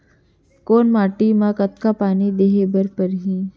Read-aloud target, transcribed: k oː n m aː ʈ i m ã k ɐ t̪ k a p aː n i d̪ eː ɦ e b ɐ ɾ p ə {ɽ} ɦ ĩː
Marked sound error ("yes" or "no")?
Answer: yes